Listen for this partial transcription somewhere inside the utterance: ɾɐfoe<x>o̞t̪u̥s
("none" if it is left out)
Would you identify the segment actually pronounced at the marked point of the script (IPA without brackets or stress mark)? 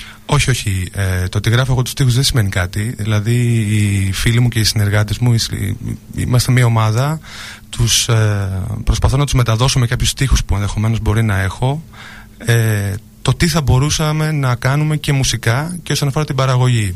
ɣ